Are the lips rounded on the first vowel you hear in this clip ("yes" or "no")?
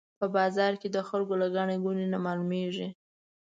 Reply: no